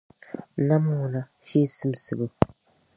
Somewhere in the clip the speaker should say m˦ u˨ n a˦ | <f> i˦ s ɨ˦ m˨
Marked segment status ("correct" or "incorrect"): correct